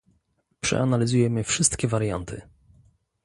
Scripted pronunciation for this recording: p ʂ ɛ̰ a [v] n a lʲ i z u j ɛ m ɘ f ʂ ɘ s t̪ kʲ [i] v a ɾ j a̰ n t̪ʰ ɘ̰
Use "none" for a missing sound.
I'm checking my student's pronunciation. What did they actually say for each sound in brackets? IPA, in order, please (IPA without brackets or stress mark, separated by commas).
none, ɛ